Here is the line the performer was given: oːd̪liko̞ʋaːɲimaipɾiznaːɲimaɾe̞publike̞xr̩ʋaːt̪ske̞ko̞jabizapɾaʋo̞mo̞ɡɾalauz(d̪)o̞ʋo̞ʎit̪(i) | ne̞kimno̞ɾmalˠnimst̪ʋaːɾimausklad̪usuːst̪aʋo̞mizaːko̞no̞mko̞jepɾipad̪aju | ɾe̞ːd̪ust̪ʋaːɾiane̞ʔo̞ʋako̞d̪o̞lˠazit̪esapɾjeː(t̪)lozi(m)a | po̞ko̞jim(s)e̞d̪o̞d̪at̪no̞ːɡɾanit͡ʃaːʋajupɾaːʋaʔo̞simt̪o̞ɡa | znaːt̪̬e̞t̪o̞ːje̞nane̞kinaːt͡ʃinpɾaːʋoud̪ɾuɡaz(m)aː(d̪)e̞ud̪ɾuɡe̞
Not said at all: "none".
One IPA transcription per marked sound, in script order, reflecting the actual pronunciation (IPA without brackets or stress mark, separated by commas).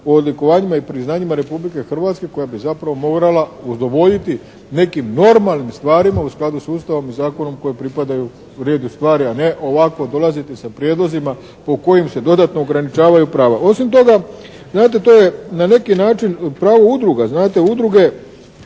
d̪, i, d̪, m, s, n, t̪